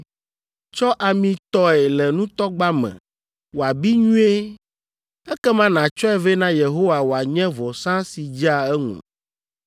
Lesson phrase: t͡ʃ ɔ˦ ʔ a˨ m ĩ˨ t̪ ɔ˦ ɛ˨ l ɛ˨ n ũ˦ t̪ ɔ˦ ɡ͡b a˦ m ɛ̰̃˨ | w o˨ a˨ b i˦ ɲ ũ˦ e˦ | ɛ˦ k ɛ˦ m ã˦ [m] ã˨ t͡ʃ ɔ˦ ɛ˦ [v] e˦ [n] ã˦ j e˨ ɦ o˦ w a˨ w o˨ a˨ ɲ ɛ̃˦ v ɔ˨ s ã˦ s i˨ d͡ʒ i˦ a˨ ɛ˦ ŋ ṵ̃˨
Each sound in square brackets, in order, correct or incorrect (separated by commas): incorrect, correct, correct